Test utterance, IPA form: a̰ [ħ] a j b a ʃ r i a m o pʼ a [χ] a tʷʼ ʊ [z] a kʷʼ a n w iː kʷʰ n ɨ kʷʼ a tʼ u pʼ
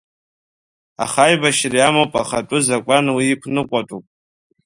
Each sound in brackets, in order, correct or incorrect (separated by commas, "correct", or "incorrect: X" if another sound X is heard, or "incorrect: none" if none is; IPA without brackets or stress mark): incorrect: χ, correct, correct